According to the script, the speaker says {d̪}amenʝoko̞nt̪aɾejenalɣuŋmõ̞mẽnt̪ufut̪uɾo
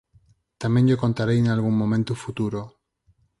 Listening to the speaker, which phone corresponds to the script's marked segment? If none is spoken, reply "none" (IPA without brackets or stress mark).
t̪